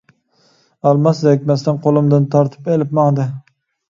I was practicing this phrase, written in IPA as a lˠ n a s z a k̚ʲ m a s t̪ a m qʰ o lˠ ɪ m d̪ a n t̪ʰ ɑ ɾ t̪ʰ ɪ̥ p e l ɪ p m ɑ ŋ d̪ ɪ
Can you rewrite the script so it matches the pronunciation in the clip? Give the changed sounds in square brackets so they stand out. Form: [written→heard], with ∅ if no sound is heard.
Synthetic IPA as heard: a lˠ [n→m] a s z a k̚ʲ m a s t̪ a [m→n] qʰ o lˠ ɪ m d̪ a n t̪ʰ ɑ ɾ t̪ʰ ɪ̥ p e l ɪ p m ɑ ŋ d̪ ɪ